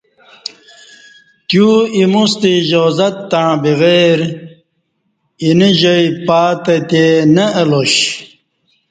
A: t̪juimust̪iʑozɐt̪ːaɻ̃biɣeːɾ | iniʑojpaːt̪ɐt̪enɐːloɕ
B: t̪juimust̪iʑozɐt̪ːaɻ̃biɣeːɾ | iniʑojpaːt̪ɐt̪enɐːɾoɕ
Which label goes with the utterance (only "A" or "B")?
A